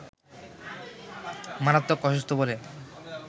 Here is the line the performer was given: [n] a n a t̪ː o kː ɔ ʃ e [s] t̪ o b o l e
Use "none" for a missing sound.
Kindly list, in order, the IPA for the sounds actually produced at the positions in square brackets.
m, s

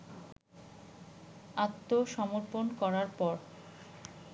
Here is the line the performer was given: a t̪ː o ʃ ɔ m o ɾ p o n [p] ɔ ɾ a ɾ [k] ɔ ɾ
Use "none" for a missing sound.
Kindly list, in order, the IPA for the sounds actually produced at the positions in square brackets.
k, p

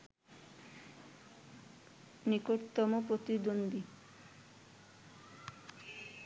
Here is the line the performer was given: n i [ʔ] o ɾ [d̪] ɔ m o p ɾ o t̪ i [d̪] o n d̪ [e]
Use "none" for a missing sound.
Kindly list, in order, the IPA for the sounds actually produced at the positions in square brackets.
k, t̪, d̪, i

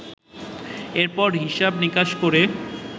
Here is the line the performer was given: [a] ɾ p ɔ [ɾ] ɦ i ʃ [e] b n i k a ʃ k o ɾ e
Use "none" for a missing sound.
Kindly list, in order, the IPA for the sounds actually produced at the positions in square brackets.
e, ɾ, a

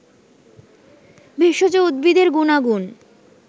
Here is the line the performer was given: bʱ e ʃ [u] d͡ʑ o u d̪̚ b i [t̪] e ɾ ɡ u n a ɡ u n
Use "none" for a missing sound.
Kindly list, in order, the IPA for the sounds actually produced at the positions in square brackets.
o, d̪

